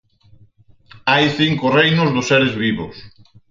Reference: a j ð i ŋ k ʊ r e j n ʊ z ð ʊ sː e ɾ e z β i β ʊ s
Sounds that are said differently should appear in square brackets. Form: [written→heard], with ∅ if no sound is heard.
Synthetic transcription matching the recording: a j [ð→θ] i ŋ k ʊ r e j n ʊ z ð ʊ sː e ɾ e z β i β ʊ s